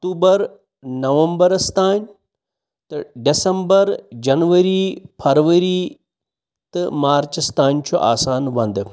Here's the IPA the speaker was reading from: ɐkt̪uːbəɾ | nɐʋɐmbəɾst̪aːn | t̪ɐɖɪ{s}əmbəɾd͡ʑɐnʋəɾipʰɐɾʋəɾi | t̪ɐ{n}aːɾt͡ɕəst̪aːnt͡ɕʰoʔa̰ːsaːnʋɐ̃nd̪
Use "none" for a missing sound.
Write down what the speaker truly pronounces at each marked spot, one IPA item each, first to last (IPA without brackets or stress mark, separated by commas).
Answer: s, m